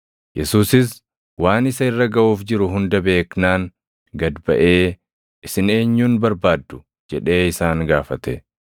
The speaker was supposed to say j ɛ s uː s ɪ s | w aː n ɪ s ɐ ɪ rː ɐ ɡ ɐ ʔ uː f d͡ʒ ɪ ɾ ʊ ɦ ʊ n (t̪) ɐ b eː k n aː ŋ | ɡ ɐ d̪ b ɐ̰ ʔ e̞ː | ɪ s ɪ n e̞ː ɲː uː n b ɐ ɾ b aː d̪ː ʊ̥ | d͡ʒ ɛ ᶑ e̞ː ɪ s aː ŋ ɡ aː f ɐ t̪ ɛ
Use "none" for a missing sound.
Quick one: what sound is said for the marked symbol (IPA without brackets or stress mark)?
d̪